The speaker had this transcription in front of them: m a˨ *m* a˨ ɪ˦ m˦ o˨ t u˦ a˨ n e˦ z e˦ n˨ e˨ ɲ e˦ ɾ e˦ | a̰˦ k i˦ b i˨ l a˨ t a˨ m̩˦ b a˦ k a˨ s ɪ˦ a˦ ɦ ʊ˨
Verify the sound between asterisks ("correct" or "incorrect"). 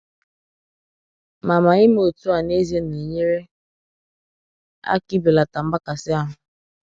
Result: correct